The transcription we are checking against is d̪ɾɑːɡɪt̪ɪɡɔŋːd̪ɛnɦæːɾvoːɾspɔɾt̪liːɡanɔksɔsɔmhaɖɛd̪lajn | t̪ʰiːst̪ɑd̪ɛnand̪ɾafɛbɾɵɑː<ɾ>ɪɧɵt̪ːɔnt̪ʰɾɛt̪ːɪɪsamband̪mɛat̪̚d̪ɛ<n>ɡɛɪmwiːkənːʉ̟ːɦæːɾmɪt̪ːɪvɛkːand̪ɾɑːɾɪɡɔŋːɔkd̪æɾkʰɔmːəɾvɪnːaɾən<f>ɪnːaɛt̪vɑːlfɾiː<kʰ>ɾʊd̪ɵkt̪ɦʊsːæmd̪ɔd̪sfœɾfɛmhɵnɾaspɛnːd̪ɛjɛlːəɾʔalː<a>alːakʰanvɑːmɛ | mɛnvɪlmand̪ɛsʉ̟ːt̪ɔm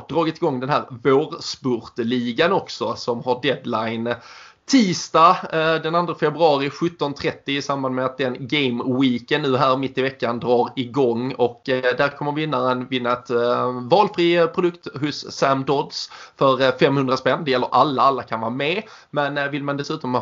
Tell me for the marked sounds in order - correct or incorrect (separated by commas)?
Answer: correct, correct, incorrect, incorrect, correct